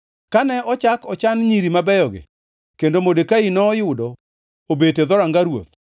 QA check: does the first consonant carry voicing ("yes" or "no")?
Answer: no